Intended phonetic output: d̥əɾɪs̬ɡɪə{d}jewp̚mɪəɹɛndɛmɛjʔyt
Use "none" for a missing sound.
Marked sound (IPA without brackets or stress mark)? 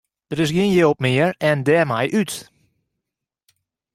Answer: n